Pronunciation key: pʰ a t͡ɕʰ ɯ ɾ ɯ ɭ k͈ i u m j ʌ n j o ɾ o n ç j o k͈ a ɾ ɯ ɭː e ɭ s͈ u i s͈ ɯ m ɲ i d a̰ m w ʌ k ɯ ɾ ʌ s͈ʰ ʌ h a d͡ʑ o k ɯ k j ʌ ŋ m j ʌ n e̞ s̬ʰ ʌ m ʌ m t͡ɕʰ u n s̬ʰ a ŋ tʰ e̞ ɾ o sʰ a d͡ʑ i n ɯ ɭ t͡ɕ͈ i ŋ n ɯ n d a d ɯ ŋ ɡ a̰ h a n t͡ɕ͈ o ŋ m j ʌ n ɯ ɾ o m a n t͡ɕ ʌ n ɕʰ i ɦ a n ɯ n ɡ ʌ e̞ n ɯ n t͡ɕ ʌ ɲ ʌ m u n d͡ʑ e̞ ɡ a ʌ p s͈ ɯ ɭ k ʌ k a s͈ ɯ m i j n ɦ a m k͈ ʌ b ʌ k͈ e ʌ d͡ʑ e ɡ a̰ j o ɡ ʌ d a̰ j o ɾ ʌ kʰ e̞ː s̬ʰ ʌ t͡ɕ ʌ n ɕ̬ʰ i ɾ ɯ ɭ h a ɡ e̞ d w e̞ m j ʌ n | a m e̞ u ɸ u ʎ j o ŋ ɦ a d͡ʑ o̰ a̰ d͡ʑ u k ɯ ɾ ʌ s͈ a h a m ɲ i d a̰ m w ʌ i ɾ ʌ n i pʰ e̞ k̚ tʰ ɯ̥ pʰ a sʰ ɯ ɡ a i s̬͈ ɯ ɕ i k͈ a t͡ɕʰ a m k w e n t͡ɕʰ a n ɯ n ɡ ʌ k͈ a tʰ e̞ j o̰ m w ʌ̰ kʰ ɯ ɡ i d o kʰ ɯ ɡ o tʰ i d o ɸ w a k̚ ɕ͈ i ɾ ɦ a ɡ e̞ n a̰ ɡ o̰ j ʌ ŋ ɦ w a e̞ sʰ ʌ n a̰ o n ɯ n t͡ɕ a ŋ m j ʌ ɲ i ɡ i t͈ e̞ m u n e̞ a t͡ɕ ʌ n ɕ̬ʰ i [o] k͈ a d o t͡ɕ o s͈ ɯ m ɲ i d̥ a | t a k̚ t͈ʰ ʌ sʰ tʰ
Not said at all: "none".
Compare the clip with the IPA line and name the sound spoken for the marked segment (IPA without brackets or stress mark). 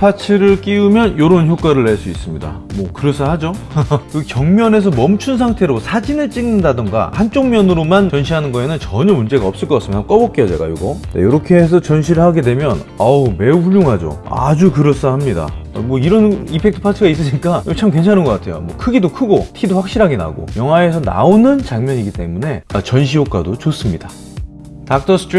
o